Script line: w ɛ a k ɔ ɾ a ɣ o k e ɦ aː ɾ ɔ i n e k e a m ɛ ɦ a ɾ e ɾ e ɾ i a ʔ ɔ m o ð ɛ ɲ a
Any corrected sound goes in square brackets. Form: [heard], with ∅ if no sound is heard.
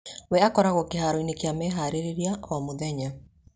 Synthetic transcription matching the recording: w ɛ a k ɔ ɾ a ɣ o k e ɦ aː ɾ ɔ i n e k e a m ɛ ɦ a ɾ e ɾ e ɾ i a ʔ ɔ m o ð ɛ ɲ a